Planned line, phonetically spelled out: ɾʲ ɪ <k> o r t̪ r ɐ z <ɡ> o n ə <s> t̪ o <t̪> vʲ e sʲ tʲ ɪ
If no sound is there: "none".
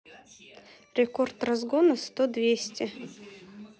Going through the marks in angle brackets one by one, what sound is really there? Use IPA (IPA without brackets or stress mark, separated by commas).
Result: k, ɡ, s, d̪